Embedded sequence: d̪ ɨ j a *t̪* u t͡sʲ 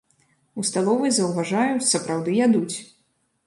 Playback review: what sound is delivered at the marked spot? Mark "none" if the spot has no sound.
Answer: d̪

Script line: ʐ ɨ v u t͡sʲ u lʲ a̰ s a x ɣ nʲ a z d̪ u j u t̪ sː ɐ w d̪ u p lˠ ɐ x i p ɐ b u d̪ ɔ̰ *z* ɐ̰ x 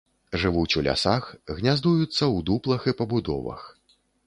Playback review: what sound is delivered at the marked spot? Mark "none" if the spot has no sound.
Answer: v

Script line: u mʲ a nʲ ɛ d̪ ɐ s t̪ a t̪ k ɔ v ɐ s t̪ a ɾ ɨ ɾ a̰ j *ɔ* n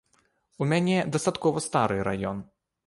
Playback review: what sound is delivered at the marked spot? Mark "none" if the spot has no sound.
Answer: ɔ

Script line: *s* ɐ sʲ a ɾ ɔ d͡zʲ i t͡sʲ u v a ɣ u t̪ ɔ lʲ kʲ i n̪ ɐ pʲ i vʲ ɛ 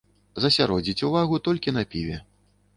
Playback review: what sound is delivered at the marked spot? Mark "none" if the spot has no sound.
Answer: z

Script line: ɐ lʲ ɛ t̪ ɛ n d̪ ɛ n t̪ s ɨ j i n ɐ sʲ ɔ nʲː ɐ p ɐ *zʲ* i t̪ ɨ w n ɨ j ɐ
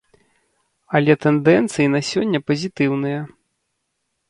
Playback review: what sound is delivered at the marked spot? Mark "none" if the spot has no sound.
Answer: zʲ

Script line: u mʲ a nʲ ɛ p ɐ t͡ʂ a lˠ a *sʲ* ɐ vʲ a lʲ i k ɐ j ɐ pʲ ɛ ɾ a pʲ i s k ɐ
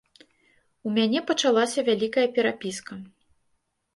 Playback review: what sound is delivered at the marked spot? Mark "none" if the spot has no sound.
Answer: sʲ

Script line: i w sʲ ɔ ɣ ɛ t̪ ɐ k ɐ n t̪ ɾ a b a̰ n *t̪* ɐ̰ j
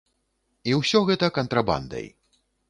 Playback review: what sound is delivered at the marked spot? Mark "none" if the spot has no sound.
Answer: d̪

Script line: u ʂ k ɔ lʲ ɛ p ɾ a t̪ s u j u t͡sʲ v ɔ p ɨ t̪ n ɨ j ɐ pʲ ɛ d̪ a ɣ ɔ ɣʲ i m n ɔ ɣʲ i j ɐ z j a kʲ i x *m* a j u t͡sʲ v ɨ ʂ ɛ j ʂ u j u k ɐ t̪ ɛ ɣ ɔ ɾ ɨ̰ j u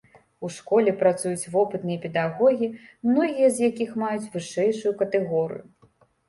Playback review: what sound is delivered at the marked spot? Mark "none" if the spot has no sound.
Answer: m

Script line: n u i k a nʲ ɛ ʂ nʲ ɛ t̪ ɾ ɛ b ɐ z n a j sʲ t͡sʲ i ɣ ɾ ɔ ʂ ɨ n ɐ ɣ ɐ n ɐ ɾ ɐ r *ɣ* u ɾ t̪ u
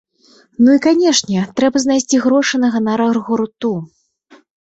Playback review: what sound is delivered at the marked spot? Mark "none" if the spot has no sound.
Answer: ɣ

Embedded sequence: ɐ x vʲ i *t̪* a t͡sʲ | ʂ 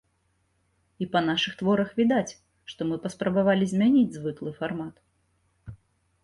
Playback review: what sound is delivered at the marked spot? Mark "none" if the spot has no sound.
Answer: d̪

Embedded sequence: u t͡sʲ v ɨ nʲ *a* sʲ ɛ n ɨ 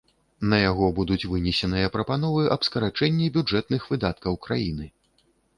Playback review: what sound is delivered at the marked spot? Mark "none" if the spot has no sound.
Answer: ɛ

